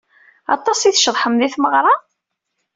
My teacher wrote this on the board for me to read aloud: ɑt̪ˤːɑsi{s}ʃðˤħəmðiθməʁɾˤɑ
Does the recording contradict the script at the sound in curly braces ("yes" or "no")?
yes